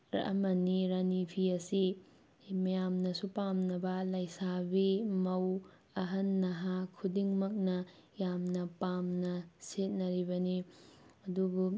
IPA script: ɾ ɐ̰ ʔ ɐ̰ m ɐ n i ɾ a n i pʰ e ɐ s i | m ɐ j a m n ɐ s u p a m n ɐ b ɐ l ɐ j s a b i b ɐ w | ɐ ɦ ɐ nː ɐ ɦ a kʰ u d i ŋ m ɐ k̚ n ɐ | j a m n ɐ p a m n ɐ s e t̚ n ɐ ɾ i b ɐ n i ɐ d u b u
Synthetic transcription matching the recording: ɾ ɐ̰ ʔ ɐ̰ m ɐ n i ɾ a n i pʰ i ɐ s i | m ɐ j a m n ɐ s u p a m n ɐ b ɐ l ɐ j s a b i m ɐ w | ɐ ɦ ɐ nː ɐ ɦ a kʰ u d i ŋ m ɐ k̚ n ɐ | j a m n ɐ p a m n ɐ s e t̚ n ɐ ɾ i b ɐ n i ɐ d u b u